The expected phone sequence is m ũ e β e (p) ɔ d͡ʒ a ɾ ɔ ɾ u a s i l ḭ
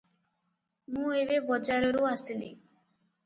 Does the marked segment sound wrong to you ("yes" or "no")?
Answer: yes